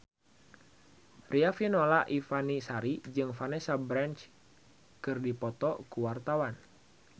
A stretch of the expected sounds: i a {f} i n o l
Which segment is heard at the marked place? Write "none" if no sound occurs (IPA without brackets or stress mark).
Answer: f